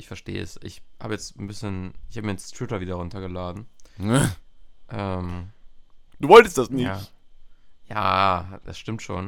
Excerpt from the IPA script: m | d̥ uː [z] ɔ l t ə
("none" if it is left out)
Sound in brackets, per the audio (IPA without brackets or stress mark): v